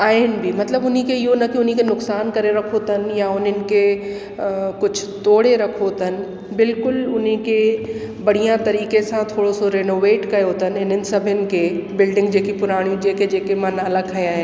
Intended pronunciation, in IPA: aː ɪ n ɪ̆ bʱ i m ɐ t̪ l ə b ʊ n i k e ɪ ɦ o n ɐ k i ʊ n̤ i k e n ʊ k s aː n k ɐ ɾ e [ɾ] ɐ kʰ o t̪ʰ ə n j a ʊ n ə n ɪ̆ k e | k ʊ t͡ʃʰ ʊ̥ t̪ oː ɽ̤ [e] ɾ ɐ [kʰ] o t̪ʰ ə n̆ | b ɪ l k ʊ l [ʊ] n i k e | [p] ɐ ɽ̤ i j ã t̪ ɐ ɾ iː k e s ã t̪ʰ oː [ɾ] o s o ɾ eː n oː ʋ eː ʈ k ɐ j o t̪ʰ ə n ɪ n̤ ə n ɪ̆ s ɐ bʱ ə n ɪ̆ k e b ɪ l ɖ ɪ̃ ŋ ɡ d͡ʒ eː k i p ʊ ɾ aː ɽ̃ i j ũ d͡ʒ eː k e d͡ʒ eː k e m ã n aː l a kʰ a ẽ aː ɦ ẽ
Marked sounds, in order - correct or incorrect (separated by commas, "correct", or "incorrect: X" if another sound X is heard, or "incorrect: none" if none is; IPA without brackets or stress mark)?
correct, correct, correct, correct, incorrect: b, incorrect: ɽ